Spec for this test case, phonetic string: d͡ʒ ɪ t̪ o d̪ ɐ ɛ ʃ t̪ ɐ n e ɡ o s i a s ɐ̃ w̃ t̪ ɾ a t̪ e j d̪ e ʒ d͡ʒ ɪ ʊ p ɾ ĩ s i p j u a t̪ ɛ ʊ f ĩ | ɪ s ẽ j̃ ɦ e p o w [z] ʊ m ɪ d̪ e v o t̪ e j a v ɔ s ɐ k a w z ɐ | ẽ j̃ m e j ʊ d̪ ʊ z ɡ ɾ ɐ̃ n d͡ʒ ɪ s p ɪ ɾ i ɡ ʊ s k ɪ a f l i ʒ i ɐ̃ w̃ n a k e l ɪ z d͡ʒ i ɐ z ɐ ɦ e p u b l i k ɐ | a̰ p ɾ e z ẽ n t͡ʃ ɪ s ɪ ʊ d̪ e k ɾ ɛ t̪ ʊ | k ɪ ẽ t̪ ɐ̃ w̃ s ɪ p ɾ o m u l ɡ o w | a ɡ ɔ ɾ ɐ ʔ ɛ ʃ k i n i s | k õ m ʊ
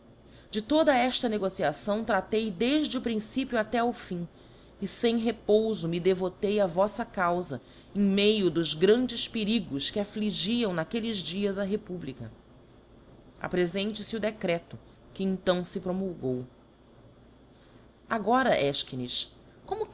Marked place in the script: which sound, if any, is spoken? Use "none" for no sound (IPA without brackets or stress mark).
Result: z